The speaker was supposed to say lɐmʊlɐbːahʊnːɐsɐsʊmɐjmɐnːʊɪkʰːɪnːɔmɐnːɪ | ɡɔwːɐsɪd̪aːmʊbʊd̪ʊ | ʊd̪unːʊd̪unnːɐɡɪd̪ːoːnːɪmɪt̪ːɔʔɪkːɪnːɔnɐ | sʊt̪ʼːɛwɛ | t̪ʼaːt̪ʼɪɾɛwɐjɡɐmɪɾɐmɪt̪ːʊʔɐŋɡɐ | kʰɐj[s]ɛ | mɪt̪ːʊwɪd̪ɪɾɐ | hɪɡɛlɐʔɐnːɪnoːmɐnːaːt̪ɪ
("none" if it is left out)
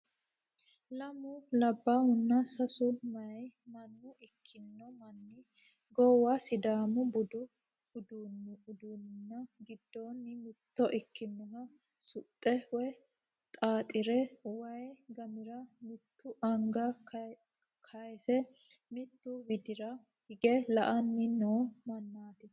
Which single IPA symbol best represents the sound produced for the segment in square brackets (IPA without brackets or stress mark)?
s